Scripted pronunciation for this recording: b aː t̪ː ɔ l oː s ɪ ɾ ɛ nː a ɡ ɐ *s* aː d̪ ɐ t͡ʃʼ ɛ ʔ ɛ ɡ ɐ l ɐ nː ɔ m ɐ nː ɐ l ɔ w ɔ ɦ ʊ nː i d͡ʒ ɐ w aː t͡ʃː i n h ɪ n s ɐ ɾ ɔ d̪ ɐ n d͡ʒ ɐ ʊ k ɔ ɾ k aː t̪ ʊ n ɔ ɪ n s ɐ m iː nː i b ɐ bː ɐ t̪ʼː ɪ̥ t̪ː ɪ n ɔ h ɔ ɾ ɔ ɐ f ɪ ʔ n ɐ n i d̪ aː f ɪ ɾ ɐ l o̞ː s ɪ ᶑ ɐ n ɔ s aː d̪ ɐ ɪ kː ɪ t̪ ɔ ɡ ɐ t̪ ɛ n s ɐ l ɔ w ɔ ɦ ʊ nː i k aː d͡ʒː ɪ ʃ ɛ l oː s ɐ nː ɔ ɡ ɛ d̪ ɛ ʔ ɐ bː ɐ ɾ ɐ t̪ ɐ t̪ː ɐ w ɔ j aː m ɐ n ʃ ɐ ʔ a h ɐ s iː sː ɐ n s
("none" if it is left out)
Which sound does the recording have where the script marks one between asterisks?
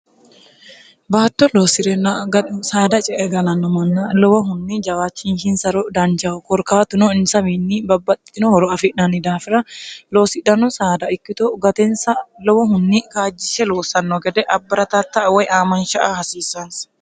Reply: s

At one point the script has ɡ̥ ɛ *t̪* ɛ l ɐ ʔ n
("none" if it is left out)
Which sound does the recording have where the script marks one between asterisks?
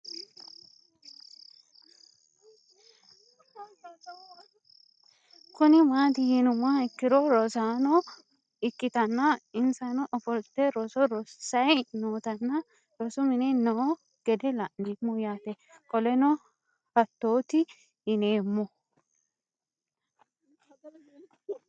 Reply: d̪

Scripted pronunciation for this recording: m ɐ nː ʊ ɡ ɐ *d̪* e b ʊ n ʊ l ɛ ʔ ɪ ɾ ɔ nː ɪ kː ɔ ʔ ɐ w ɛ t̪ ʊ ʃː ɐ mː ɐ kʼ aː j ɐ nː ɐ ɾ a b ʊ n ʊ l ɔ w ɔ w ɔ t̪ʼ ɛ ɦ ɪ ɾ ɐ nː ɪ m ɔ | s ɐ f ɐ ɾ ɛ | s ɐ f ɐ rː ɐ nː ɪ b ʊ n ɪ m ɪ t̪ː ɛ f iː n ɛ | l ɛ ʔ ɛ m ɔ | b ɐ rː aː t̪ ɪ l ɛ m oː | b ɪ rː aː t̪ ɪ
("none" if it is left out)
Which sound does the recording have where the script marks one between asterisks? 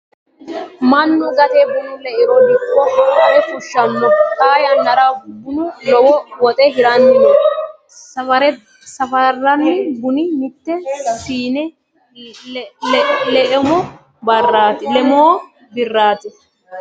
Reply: t̪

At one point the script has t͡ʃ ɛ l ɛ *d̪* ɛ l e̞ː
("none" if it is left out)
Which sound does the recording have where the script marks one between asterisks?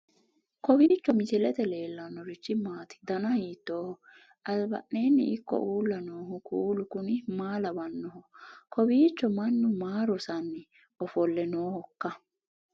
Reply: t̪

